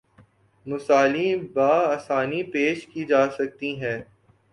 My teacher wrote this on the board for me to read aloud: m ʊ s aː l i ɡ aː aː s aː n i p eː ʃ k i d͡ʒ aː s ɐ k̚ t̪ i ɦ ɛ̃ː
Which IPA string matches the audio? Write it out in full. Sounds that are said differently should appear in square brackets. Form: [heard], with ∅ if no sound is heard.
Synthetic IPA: m ʊ s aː l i [b] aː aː s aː n i p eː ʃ k i d͡ʒ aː s ɐ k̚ t̪ i ɦ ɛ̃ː